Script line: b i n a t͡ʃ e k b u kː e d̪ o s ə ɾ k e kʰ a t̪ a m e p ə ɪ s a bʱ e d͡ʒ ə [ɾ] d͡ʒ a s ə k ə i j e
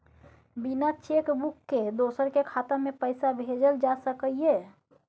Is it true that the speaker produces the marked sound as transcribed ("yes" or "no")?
no